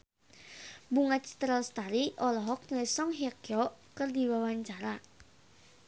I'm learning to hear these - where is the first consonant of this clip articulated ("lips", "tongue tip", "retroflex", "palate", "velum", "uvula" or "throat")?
lips